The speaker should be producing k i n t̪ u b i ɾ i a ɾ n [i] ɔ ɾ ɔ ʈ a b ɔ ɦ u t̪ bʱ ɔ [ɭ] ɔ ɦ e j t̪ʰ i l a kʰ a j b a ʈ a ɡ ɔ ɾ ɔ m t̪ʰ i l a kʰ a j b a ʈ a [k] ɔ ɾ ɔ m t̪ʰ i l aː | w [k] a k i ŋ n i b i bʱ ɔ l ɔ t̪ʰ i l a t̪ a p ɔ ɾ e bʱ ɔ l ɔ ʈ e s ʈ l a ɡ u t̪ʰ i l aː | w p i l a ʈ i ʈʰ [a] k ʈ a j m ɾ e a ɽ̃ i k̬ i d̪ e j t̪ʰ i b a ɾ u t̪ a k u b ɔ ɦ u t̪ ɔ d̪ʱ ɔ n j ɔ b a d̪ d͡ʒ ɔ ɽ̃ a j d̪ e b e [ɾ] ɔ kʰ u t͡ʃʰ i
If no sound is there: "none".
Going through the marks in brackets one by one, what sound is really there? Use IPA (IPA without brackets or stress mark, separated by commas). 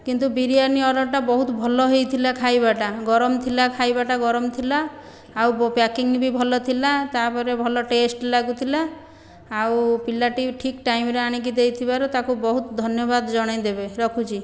i, l, ɡ, p, i, ɾ